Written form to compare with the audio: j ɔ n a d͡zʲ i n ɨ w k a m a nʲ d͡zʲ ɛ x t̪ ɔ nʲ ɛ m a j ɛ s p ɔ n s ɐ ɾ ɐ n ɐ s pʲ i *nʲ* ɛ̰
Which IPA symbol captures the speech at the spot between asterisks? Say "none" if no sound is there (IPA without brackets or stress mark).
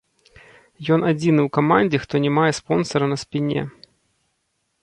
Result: nʲ